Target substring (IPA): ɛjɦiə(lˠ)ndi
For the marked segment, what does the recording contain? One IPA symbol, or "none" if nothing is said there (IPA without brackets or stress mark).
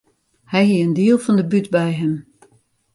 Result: none